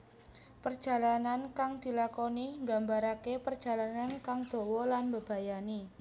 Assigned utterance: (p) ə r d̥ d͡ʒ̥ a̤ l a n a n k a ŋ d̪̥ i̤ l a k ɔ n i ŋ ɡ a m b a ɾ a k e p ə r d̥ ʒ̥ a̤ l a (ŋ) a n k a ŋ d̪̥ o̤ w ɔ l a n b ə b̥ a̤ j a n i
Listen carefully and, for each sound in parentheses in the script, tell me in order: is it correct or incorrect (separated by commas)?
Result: correct, incorrect